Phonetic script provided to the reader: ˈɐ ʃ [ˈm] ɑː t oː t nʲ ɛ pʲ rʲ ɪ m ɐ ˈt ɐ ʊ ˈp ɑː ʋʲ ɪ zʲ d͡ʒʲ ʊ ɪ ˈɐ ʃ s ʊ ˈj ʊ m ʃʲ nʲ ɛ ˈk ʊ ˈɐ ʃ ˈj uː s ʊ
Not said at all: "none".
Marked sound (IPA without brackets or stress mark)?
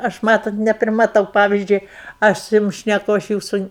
m